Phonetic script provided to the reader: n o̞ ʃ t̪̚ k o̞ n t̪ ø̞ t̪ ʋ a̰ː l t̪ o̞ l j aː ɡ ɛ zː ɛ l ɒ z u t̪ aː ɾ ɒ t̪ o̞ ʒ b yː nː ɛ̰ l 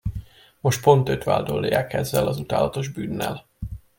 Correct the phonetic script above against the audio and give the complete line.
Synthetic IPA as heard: m o̞ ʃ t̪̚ p o̞ n t̪ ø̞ t̪ ʋ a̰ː l d̪ o̞ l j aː k ɛ zː ɛ l ɒ z u t̪ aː l ɒ t̪ o̞ ʒ b yː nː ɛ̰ l